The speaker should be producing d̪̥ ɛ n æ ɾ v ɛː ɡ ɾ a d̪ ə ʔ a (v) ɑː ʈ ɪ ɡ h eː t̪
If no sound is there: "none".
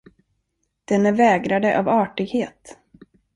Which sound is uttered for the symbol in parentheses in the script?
v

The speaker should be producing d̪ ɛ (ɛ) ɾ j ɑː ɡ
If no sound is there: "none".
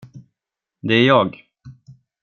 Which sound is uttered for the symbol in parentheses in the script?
æ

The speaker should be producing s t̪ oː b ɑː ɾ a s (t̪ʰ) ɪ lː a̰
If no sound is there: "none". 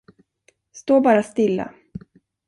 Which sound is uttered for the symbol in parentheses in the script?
t̪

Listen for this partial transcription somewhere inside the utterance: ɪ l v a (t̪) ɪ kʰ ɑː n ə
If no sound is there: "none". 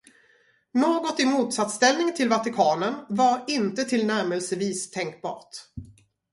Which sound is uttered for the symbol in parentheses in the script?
t̪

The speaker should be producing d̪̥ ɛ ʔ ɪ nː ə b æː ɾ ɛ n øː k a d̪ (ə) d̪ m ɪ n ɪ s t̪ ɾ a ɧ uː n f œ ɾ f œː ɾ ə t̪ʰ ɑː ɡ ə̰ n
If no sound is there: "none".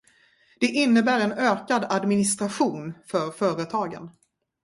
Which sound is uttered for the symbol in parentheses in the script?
a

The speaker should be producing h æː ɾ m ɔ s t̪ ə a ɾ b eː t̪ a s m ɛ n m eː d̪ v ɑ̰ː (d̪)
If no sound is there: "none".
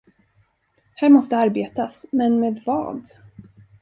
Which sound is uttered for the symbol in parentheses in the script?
d̪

